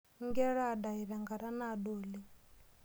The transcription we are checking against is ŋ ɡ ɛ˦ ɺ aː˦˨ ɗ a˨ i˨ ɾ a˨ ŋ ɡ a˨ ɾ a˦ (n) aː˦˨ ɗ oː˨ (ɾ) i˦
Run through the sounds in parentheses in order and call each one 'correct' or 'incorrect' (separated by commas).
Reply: correct, incorrect